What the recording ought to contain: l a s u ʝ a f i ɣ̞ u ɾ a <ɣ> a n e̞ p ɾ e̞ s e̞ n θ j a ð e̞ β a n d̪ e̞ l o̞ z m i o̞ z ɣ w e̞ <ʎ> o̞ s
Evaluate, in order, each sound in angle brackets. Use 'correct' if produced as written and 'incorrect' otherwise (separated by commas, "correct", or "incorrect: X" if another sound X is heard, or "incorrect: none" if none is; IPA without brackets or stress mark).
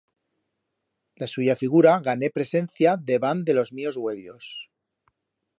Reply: correct, correct